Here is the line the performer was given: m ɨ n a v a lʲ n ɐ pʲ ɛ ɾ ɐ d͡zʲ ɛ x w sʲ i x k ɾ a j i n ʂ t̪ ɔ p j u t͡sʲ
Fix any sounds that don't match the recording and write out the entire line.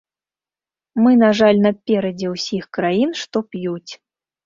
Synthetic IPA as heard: m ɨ n a ʐ a lʲ n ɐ pʲ ɛ ɾ ɐ d͡zʲ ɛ w sʲ i x k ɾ a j i n ʂ t̪ ɔ p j u t͡sʲ